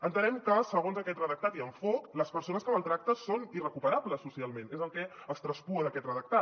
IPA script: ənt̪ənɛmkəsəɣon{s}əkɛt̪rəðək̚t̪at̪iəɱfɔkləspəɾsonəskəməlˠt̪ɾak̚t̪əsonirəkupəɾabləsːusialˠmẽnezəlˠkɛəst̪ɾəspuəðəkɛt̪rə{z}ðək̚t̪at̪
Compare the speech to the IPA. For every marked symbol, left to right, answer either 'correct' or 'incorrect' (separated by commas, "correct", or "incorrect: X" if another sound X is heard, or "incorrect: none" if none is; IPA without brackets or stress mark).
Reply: incorrect: z, incorrect: none